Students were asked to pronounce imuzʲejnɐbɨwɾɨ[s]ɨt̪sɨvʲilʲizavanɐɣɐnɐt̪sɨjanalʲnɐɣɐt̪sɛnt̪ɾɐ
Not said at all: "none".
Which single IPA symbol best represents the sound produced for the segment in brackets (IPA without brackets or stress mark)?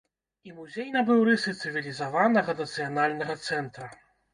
s